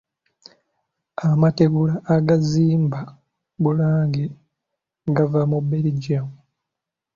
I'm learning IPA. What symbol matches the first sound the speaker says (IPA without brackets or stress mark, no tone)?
a